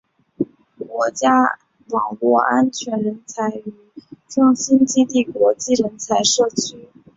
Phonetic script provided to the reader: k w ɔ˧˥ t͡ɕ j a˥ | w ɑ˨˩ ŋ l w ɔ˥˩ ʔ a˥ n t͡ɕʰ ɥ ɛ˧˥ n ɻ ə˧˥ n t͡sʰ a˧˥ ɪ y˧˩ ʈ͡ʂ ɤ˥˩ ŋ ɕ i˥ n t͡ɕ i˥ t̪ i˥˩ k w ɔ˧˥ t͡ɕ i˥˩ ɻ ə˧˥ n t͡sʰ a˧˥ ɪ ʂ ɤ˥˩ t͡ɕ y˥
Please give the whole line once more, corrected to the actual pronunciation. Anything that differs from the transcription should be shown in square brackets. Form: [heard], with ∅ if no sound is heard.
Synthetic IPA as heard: k w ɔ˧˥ t͡ɕ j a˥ | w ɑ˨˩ ŋ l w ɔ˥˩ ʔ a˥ n t͡ɕʰ ɥ ɛ˧˥ n ɻ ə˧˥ n t͡sʰ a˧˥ ɪ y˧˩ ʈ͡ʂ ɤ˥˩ ŋ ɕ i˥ n t͡ɕ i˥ t̪ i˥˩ k w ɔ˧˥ t͡ɕ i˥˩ ɻ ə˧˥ n t͡sʰ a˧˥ ɪ ʂ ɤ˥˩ [t͡ɕʰ] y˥